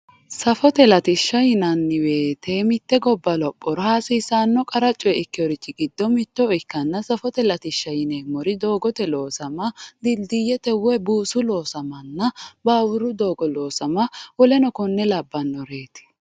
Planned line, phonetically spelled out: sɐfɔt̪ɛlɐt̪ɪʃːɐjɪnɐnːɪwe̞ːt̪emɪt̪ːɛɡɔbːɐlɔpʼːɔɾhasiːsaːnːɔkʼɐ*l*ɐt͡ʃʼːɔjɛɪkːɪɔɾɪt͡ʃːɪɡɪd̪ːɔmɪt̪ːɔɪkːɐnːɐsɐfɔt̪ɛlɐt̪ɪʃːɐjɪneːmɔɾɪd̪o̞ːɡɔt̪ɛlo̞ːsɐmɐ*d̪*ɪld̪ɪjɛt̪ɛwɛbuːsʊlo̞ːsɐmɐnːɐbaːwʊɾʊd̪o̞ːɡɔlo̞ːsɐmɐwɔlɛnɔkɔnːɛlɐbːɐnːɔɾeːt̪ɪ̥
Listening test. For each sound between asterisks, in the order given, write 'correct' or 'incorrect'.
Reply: incorrect, correct

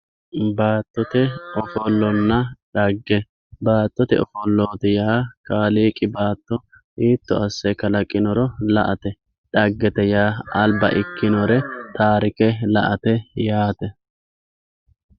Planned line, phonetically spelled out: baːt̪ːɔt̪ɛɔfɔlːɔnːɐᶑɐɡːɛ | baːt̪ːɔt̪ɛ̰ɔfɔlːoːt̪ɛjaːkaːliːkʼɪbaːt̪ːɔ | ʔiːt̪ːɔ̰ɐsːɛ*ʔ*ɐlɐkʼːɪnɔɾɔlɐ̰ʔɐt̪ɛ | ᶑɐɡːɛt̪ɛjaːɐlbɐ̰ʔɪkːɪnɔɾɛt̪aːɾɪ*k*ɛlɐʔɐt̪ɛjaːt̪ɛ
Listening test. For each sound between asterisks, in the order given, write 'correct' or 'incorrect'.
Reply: incorrect, correct

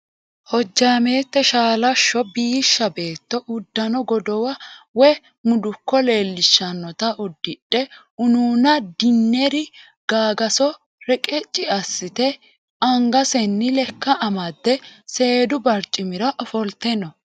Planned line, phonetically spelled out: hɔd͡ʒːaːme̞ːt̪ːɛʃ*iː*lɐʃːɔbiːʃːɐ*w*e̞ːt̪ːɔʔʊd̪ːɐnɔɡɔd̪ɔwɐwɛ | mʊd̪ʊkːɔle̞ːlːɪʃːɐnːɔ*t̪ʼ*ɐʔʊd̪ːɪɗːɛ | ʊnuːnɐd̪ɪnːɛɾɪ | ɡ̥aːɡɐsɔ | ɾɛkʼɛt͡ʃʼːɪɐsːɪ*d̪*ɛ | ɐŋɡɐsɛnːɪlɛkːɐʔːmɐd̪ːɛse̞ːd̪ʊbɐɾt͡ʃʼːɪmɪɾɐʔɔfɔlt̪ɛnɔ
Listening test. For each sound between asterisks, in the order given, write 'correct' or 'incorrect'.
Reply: incorrect, incorrect, incorrect, incorrect

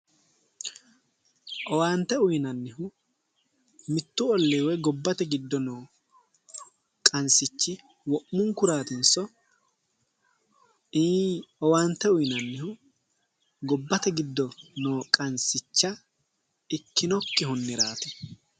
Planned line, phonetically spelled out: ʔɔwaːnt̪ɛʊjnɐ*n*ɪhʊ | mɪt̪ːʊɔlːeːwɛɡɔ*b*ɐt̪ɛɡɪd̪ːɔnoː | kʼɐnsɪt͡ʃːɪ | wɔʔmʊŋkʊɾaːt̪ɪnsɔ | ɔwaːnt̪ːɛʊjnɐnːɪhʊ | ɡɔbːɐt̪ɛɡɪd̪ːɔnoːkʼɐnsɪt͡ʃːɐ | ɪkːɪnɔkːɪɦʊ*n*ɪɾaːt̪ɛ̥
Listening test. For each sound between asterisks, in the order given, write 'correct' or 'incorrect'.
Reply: incorrect, incorrect, incorrect

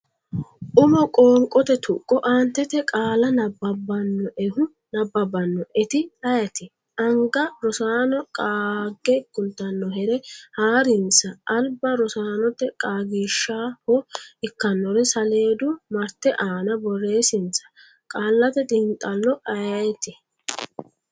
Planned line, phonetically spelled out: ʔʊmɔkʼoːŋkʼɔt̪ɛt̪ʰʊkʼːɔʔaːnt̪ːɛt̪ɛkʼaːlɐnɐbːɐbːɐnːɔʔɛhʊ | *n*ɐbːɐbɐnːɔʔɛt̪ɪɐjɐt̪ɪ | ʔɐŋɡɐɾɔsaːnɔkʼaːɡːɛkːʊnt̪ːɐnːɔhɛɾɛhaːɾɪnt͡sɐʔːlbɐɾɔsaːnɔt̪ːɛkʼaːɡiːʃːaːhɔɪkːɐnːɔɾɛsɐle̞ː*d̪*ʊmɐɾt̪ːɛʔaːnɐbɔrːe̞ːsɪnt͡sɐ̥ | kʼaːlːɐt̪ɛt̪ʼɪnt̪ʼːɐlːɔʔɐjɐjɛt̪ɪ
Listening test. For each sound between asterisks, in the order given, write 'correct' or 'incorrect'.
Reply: correct, correct

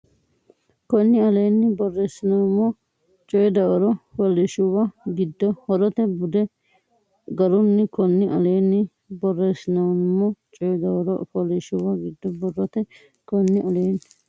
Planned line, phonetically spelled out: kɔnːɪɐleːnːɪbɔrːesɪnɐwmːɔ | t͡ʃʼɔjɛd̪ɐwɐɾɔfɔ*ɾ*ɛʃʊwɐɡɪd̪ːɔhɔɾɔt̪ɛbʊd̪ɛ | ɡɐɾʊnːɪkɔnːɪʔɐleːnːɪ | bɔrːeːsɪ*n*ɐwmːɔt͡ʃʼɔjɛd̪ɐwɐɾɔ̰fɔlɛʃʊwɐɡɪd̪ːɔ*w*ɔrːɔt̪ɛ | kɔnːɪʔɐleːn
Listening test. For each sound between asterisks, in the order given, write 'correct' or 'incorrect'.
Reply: incorrect, correct, incorrect

